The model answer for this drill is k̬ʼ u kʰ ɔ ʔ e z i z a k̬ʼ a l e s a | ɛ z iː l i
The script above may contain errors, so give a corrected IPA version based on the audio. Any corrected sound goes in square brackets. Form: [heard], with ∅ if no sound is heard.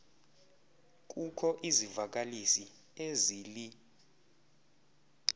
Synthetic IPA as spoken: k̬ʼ u kʰ ɔ ʔ [i] z i [v] a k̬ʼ a l [i] s [i] | [e] z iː l i